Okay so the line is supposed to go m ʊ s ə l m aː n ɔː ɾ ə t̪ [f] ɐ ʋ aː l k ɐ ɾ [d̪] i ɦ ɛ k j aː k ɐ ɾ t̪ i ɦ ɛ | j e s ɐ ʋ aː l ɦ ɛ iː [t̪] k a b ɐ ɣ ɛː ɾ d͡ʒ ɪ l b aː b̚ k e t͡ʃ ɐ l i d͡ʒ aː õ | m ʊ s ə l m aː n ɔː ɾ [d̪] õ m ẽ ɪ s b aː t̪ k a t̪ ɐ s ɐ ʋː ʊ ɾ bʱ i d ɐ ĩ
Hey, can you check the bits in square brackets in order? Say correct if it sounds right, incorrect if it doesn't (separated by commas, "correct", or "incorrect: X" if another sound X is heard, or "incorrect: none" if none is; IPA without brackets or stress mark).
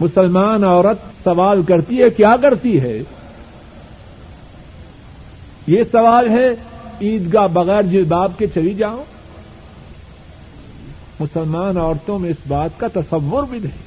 incorrect: s, incorrect: t̪, incorrect: d̪, incorrect: t̪